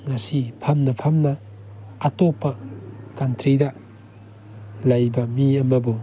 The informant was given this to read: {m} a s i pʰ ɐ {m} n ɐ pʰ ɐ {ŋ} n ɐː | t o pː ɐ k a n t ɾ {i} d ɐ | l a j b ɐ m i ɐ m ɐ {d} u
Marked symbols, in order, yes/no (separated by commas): no, yes, no, yes, no